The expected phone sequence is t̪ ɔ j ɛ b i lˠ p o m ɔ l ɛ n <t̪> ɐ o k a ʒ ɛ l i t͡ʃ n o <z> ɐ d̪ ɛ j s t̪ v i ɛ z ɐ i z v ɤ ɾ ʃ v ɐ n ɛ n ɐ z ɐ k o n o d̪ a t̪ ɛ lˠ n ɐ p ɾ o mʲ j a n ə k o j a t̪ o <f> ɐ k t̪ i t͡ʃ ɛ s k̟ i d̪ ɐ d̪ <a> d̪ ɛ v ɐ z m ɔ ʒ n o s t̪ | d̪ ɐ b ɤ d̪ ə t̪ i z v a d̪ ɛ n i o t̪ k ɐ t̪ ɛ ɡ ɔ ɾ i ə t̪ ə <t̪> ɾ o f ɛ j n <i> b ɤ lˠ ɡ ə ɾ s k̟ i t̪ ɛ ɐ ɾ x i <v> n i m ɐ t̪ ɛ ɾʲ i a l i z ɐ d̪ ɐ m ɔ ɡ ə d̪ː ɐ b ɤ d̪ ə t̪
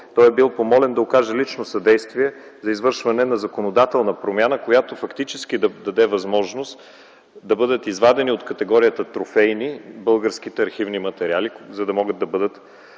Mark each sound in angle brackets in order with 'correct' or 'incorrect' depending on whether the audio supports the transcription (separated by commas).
incorrect, incorrect, correct, incorrect, correct, correct, correct